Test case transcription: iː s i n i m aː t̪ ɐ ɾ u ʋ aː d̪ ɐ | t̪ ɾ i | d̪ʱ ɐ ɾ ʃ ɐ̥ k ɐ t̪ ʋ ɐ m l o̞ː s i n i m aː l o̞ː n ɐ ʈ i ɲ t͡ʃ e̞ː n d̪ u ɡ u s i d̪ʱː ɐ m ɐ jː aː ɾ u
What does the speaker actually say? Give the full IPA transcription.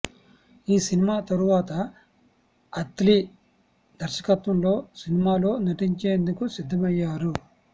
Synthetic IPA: iː s i n i m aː t̪ ɐ ɾ u ʋ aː t̪ ɐ | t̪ l i | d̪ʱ ɐ ɾ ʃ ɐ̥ k ɐ t̪ ʋ ɐ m l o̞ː s i n i m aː l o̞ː n ɐ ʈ i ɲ t͡ʃ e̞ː n d̪ u k u s i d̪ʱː ɐ m ɐ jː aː ɾ u